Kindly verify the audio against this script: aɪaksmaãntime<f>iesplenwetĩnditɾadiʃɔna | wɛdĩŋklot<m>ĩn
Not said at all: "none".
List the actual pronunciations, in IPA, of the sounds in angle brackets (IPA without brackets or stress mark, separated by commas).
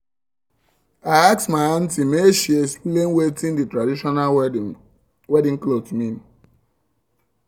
ʃ, m